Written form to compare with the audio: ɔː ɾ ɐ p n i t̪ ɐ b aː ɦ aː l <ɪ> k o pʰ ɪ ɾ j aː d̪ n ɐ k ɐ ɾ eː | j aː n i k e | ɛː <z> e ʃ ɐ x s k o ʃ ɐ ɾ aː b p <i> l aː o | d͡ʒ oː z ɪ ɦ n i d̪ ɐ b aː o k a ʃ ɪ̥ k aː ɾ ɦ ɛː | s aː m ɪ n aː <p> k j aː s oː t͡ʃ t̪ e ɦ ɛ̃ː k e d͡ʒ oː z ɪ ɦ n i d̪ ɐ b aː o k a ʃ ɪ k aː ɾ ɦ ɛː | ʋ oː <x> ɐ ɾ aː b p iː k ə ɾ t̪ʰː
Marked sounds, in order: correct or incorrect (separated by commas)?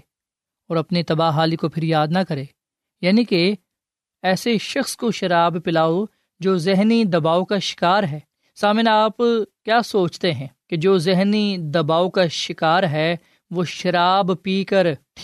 incorrect, incorrect, incorrect, correct, incorrect